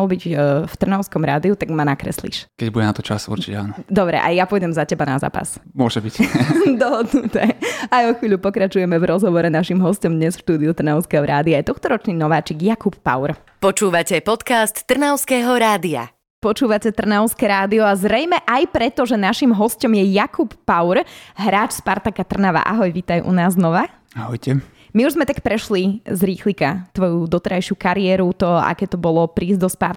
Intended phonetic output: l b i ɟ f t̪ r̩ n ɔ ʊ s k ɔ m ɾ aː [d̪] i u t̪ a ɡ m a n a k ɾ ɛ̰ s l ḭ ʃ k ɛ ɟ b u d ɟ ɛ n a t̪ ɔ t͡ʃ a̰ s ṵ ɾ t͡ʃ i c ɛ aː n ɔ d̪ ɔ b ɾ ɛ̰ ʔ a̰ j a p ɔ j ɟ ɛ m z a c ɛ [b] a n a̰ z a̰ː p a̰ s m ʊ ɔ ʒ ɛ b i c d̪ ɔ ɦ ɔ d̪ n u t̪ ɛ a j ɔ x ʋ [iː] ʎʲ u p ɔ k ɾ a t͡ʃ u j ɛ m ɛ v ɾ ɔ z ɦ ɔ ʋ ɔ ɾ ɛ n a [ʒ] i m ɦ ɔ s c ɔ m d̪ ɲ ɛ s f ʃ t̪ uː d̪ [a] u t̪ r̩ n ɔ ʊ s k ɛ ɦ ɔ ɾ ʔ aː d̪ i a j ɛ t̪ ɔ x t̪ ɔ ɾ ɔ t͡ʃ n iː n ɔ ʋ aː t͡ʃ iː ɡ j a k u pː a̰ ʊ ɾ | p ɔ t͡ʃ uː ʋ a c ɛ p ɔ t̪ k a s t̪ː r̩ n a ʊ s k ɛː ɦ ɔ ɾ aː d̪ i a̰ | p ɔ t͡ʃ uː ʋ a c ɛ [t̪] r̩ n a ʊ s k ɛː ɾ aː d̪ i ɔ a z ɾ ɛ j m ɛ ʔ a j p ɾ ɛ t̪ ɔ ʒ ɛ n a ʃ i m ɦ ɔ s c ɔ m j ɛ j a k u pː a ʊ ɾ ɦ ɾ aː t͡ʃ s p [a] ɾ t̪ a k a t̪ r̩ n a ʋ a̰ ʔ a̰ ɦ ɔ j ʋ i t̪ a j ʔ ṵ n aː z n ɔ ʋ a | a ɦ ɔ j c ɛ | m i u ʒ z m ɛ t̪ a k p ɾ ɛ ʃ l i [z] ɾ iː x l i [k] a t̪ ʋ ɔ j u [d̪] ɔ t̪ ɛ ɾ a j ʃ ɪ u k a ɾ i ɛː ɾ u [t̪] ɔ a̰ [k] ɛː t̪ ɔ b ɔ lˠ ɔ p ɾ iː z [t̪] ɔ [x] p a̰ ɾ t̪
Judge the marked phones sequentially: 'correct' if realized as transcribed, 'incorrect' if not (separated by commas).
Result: correct, correct, correct, incorrect, incorrect, correct, correct, correct, correct, correct, correct, correct, incorrect, incorrect